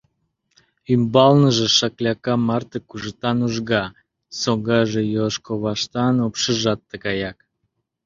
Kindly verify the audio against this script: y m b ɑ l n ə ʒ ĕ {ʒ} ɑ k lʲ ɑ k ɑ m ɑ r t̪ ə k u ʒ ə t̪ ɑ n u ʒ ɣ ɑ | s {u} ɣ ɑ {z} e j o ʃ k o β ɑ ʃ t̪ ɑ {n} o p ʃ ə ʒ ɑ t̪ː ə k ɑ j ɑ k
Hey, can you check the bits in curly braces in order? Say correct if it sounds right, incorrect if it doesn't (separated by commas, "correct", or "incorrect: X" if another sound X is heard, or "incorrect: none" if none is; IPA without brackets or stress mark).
incorrect: ʃ, incorrect: o, incorrect: ʒ, correct